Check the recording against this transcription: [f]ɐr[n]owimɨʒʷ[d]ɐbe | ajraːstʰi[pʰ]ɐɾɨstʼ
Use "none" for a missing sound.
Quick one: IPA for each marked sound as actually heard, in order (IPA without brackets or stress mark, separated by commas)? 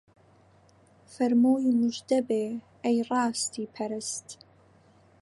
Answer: f, m, d, pʰ